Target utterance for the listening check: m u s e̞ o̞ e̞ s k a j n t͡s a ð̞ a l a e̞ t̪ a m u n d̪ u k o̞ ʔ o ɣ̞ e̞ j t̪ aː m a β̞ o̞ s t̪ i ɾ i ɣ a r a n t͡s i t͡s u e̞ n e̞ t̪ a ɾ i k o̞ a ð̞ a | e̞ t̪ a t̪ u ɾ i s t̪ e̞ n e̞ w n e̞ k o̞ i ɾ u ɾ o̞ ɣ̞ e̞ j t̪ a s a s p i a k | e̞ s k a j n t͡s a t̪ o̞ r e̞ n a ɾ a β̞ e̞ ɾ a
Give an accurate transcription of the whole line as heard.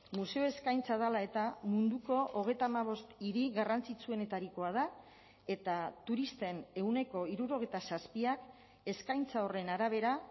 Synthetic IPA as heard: m u s e̞ o̞ e̞ s k a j n t͡s a ð̞ a l a e̞ t̪ a m u n d̪ u k o̞ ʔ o ɣ̞ e̞ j t̪ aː m a β̞ o̞ s t̪ i ɾ i ɣ a r a n t͡s i t͡s u e̞ n e̞ t̪ a ɾ i k o̞ a ð̞ a | e̞ t̪ a t̪ u ɾ i s t̪ e̞ n e̞ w n e̞ k o̞ i ɾ u ɾ o̞ ɣ̞ e̞ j t̪ a s a s p i a k | e̞ s k a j n t͡s a o̞ r e̞ n a ɾ a β̞ e̞ ɾ a